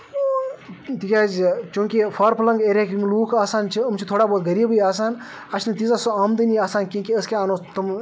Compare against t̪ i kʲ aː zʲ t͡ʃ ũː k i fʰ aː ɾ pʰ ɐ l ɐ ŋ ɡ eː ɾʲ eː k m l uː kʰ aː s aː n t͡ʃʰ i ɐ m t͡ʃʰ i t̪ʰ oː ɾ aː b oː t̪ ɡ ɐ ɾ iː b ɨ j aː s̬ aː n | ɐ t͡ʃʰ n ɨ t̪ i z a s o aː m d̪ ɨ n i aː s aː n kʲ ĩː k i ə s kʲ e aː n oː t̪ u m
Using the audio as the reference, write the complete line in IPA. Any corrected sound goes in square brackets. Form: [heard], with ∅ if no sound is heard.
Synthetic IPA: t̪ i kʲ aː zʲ t͡ʃ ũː k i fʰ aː ɾ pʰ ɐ l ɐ ŋ ɡ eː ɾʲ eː k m l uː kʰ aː s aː n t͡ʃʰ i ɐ m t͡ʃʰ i t̪ʰ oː [ɽ] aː b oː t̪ ɡ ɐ ɾ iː b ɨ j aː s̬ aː n | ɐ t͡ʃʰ n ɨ t̪ i z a s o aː m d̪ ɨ n i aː s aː n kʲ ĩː k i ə s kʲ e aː n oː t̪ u m